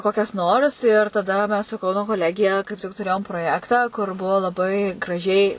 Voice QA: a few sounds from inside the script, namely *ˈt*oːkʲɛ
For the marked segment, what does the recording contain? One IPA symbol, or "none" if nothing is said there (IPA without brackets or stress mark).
k